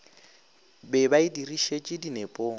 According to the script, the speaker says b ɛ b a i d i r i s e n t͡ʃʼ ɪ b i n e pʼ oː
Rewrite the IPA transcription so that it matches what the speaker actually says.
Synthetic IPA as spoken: b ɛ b a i d i r i ʃ e t͡ʃʼ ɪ d i n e pʼ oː